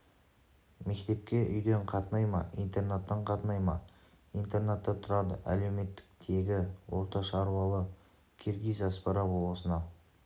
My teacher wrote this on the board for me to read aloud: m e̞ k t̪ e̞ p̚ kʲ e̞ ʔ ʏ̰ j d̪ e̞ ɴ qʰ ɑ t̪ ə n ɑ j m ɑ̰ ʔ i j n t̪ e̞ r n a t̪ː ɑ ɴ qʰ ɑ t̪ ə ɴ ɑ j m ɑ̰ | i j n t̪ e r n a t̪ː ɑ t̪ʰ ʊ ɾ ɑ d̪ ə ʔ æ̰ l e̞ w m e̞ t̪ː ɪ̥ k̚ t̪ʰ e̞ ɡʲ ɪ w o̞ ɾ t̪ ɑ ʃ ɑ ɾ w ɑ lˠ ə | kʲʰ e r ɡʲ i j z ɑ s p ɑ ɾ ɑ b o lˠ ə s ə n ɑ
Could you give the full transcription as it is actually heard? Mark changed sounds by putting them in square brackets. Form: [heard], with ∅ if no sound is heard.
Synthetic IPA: m e̞ k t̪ e̞ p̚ kʲ e̞ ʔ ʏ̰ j d̪ e̞ ɴ qʰ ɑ t̪ ə n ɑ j m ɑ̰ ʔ i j n t̪ e̞ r n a t̪ː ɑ ɴ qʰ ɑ t̪ ə [n] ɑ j m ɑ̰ | i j n t̪ e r n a t̪ː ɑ t̪ʰ ʊ ɾ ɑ d̪ ə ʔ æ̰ l e̞ w m e̞ t̪ː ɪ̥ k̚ t̪ʰ e̞ ɡʲ ɪ w o̞ ɾ t̪ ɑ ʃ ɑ ɾ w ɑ lˠ ə | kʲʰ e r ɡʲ i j z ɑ s p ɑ ɾ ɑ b o lˠ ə s ə n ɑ